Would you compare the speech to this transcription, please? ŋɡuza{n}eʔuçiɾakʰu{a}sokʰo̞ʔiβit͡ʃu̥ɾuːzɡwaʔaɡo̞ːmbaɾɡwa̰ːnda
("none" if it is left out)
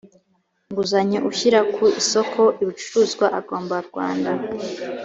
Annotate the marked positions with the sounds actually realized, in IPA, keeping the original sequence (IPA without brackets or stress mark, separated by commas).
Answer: ɲ, i